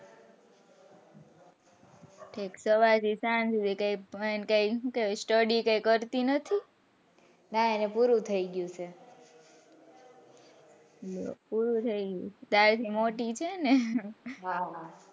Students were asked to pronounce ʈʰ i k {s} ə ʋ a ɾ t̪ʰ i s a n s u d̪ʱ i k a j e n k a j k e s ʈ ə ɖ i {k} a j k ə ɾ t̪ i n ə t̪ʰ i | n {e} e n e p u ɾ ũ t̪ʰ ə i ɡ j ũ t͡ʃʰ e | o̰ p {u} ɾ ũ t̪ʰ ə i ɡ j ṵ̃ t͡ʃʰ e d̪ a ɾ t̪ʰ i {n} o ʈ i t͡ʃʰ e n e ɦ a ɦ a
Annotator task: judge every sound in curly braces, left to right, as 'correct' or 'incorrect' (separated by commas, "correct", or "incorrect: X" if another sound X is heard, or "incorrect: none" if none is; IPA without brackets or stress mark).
correct, correct, incorrect: a, correct, incorrect: m